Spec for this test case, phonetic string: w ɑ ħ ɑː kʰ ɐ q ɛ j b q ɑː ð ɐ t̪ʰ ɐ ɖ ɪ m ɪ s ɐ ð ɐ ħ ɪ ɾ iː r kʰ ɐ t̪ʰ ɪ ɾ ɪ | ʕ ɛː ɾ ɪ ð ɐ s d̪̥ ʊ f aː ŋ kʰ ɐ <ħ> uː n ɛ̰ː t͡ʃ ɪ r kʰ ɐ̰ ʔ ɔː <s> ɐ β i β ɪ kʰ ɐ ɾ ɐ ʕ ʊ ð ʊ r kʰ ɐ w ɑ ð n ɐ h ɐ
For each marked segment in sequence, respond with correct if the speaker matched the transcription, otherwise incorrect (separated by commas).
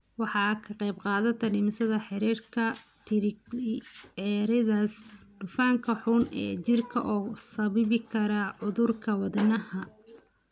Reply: correct, correct